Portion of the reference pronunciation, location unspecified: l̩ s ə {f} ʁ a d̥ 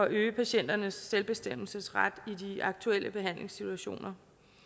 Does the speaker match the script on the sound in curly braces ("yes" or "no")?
no